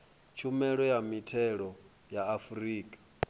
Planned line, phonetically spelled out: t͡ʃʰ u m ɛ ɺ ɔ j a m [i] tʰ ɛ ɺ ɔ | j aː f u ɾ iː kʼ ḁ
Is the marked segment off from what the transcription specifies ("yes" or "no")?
no